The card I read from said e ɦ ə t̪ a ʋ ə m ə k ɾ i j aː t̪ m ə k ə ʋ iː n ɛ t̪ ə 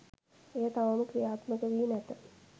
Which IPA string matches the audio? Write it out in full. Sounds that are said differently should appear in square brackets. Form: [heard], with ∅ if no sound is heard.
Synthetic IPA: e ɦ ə t̪ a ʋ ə m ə k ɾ i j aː t̪ m ə k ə ʋ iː n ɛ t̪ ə

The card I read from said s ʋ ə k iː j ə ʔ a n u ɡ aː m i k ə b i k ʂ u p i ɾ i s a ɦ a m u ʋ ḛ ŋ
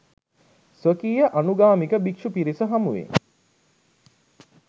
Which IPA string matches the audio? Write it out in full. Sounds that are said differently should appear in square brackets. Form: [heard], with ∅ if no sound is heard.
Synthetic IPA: s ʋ ə k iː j ə ʔ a n u ɡ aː m i k ə b i k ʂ u p i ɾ i s [ə] ɦ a m u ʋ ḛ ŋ

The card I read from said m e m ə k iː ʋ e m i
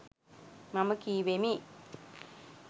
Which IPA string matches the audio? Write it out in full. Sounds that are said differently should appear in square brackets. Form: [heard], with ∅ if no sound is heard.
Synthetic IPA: m [a] m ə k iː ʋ e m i

